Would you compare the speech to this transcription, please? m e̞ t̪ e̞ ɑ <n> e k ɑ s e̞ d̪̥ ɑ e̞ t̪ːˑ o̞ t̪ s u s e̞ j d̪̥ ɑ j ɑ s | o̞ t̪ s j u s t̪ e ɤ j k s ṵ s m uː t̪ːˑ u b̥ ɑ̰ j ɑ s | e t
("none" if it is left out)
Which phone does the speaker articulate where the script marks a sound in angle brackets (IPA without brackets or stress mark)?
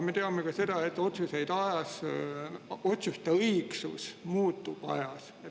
m